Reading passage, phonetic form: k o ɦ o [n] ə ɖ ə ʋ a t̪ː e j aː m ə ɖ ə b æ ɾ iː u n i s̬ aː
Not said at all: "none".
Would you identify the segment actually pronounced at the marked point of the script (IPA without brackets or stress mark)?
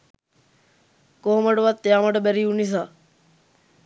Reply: m